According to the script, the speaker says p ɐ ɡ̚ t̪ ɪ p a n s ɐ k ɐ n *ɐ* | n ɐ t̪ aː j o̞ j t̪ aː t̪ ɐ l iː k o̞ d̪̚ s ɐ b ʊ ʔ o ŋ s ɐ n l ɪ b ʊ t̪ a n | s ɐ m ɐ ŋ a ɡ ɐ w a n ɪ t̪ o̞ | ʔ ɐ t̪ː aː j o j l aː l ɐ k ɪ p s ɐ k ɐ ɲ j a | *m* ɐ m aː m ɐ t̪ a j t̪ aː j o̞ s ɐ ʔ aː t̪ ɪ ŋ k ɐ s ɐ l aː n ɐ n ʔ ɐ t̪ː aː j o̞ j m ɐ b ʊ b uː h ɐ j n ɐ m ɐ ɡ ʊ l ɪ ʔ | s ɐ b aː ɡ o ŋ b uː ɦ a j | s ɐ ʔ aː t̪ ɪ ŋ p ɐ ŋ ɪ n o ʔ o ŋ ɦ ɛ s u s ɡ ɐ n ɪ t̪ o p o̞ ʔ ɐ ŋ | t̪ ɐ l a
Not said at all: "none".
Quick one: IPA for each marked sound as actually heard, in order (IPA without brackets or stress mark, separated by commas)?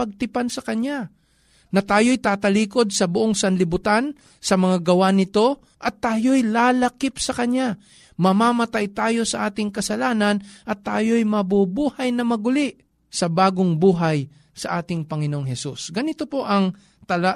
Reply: a, m